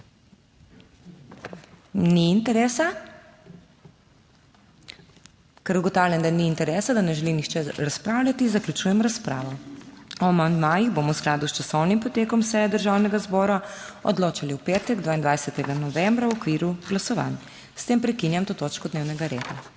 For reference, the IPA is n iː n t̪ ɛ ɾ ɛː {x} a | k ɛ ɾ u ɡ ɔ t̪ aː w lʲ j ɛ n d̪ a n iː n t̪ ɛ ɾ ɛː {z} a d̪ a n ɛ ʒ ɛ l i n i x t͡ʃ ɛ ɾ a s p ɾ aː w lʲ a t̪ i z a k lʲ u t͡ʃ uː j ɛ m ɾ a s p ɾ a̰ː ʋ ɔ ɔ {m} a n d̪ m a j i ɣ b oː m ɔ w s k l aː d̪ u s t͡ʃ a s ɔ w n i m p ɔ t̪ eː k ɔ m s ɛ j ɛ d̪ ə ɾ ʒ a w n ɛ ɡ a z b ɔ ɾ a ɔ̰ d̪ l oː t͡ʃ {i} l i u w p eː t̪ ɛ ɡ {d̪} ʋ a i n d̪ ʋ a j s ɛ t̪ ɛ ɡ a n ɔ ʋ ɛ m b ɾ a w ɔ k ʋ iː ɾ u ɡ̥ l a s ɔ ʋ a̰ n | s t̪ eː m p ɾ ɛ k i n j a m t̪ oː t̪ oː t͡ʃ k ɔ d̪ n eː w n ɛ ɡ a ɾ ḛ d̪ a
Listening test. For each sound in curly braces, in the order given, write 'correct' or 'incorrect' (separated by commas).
incorrect, incorrect, correct, incorrect, correct